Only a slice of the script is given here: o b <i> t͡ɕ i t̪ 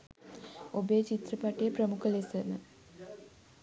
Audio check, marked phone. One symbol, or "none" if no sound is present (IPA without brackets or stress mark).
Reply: e